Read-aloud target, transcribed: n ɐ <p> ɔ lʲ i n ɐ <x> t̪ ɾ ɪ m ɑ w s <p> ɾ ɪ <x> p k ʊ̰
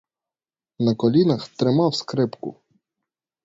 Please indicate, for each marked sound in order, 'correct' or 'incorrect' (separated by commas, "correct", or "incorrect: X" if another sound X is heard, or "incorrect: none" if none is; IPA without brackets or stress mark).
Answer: incorrect: k, correct, incorrect: k, incorrect: none